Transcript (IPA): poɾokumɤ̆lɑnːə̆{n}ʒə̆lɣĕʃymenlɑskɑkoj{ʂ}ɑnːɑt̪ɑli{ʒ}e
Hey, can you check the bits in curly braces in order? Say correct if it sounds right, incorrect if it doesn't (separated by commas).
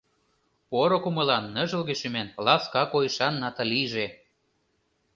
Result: incorrect, incorrect, correct